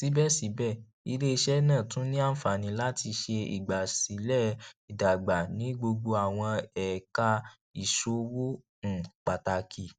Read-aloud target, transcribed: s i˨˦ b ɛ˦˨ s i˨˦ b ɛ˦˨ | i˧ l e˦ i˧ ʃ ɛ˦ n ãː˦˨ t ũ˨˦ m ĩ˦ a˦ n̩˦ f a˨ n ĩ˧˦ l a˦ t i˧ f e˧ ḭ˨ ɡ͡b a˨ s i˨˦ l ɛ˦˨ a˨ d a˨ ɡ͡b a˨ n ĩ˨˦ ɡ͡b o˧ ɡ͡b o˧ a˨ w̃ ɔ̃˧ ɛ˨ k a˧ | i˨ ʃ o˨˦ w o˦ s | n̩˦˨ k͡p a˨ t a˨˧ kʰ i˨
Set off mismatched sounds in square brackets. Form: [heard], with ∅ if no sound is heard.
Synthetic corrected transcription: s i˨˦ b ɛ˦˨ s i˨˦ b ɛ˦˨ | i˧ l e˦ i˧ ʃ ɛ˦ n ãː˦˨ t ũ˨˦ [n] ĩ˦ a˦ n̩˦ f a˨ n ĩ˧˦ l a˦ t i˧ [ʃ] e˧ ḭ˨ ɡ͡b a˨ s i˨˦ l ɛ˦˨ [i˨] d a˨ ɡ͡b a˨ n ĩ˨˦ ɡ͡b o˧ ɡ͡b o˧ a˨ w̃ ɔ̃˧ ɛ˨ k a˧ | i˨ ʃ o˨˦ w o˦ [∅] | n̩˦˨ k͡p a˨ t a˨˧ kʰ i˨

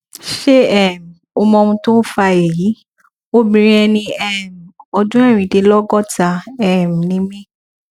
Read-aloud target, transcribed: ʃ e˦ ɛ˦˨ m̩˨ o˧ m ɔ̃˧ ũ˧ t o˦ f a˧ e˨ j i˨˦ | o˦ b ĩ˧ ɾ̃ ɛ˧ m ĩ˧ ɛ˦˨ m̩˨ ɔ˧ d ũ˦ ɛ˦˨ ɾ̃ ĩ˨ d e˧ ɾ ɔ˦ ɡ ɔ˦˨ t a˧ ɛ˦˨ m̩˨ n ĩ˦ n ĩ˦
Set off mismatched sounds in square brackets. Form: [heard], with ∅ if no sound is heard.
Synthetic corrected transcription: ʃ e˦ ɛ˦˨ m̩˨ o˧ m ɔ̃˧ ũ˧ t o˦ f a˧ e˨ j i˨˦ | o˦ b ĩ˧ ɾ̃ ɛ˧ [n] ĩ˧ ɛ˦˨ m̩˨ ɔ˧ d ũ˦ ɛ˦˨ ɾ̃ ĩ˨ d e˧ [l] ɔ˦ ɡ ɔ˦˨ t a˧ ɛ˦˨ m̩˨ n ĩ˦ [m] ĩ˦

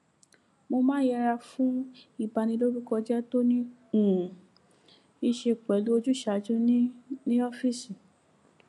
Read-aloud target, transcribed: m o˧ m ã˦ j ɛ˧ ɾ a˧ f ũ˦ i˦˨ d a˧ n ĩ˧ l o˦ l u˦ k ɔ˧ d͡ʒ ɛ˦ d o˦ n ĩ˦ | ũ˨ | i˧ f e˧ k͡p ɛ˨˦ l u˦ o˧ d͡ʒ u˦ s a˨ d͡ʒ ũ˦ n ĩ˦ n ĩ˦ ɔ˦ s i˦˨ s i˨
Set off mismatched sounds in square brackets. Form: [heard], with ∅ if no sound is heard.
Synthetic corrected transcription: m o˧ m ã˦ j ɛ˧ ɾ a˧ f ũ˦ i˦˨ [b] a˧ n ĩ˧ l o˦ [ɾ] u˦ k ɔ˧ d͡ʒ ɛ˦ [t] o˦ n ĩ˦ | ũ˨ | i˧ [ʃ] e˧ k͡p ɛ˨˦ l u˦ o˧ d͡ʒ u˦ [ʃ] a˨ d͡ʒ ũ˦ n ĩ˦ n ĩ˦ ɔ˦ [f] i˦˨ s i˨

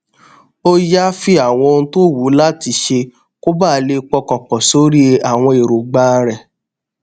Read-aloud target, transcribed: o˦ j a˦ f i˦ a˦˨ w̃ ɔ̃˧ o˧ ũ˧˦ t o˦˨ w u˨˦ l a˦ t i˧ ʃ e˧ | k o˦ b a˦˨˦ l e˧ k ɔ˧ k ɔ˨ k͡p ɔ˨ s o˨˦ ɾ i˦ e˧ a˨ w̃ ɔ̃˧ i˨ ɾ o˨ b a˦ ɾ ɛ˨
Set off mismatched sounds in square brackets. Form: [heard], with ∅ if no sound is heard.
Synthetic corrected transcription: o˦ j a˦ f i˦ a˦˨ w̃ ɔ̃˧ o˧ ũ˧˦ t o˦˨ w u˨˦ l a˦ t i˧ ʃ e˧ | k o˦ b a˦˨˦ l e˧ [k͡p] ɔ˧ k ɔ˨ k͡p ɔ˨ s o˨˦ ɾ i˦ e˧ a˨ w̃ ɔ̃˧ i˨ ɾ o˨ [ɡ͡b] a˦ ɾ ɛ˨

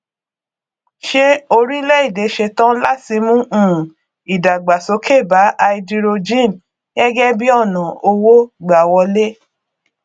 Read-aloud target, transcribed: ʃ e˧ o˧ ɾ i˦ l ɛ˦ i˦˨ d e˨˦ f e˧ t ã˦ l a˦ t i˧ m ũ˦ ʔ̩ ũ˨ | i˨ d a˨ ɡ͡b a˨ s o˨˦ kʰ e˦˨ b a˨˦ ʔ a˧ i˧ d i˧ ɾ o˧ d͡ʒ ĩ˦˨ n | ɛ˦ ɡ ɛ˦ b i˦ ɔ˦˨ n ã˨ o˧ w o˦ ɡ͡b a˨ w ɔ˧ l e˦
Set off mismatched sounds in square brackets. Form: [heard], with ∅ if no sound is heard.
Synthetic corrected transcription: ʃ e˧ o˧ ɾ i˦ l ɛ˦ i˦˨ d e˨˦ [ʃ] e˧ t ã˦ l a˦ t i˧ m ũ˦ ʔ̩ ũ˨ | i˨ d a˨ ɡ͡b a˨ s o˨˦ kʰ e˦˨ b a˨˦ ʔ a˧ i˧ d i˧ ɾ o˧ d͡ʒ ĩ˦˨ n | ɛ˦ ɡ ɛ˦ b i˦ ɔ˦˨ n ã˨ o˧ w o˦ ɡ͡b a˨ w ɔ˧ l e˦

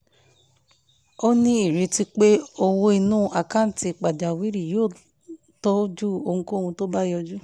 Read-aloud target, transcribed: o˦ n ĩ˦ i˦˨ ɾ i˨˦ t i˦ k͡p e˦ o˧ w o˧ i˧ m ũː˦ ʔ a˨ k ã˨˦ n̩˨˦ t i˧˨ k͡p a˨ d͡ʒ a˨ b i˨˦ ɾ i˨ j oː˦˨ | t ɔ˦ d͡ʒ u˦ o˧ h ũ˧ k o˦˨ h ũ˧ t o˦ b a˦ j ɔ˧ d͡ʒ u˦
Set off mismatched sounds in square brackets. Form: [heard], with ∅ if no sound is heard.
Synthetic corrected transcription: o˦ n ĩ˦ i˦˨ ɾ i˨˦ t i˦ k͡p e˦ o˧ w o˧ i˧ [n] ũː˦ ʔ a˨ k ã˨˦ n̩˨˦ t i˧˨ k͡p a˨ d͡ʒ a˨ [w] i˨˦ ɾ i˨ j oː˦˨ | t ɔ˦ d͡ʒ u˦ o˧ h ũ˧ k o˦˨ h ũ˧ t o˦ b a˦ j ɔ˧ d͡ʒ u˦

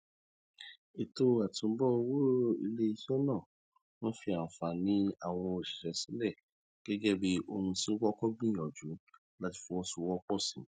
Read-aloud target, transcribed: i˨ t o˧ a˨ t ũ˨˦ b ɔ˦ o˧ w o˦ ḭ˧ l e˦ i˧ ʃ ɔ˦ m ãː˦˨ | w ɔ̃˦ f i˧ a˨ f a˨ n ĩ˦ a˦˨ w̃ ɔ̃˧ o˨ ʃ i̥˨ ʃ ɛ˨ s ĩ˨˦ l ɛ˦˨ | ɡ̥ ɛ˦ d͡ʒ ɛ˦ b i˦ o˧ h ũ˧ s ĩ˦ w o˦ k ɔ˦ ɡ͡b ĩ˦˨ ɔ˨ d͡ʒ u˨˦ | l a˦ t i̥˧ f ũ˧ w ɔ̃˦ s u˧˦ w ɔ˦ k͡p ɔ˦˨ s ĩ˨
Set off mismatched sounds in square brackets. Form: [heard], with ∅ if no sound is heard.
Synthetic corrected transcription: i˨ t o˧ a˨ t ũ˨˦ b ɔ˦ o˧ w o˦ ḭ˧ l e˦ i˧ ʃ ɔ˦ [n] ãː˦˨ | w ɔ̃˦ f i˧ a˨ f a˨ n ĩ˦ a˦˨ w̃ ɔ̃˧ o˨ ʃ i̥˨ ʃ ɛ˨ s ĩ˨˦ l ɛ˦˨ | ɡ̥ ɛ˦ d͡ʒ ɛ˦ b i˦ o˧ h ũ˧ s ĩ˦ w [ɔ˦] k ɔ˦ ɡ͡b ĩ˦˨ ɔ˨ d͡ʒ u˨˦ | l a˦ t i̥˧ f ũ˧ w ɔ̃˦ s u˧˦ w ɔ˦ k͡p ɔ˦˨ s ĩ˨

